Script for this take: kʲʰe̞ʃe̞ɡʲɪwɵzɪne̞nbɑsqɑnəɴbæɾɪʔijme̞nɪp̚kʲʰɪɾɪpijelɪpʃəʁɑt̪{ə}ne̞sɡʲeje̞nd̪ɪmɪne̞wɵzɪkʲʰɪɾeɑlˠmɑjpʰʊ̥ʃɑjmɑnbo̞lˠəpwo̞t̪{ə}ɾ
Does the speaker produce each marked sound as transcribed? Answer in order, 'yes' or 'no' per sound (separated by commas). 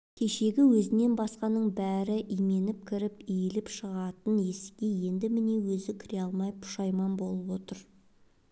yes, yes